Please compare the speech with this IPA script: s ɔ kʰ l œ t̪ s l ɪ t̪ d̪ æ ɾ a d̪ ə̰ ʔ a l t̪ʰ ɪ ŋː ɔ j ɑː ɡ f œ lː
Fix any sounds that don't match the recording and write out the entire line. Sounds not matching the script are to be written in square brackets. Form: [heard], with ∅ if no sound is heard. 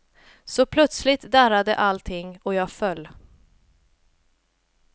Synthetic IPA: s ɔ [pʰ] l œ t̪ s l ɪ t̪ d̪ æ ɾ a d̪ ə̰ ʔ a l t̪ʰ ɪ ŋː ɔ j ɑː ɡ f œ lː